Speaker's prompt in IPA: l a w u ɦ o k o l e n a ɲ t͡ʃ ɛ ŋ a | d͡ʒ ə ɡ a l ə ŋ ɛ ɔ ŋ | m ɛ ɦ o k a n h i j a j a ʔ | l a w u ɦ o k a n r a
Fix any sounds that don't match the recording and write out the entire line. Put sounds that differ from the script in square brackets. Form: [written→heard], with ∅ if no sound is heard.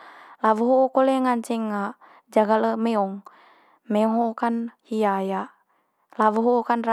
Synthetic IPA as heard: l a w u ɦ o k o l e [n→ŋ] a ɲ t͡ʃ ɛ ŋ a | d͡ʒ [ə→a] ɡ a l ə [ŋ→m] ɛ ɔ ŋ | m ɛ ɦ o k a n h i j a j a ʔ | l a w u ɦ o k a n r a